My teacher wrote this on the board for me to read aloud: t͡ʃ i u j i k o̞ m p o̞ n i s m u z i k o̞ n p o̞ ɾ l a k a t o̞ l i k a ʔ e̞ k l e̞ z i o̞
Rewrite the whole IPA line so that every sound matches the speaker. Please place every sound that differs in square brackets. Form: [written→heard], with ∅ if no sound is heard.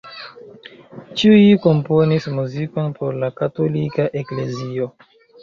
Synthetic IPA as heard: t͡ʃ i u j i k o̞ m p o̞ n i s m u z i k o̞ n p o̞ ɾ l a k a t o̞ l i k a ʔ e̞ k l e̞ z i o̞